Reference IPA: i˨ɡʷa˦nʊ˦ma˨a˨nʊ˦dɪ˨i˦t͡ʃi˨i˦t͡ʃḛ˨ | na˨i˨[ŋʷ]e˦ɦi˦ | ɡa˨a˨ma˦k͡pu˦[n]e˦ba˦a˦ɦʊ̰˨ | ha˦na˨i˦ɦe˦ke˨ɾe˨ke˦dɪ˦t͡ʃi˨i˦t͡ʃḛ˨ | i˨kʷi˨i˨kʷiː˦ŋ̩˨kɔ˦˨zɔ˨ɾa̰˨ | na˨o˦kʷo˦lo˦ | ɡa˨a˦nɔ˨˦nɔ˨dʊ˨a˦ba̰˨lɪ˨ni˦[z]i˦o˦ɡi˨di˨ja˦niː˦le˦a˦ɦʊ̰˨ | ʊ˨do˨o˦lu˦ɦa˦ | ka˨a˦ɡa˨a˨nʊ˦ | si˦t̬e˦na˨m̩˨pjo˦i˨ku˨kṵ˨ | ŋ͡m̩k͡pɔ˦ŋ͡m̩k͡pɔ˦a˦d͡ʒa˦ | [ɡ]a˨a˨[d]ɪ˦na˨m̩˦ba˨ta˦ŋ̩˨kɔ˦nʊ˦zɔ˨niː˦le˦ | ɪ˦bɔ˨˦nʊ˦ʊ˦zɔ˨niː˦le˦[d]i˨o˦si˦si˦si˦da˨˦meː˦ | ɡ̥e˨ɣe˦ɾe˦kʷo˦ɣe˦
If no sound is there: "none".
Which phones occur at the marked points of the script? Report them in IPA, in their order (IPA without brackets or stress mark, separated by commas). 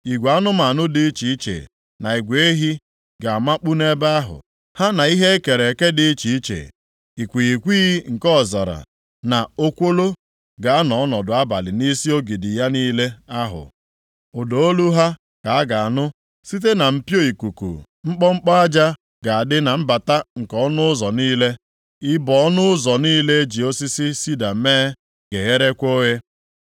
ɡʷ, n, s, ɡ, d, d͡ʒ